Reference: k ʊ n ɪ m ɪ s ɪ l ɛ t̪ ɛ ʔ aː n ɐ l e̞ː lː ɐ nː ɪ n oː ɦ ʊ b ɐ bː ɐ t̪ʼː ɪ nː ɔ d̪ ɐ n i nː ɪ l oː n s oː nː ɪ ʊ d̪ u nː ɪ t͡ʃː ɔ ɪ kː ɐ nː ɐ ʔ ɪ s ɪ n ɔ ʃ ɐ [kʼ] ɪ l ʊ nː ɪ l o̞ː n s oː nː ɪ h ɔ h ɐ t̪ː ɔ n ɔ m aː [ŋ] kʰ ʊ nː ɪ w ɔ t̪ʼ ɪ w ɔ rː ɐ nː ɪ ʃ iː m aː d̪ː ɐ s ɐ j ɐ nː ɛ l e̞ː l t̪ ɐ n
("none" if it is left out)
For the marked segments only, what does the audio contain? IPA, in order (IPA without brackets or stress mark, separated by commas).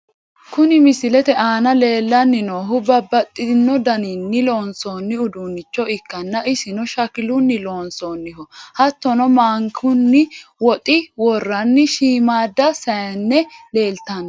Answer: k, ŋ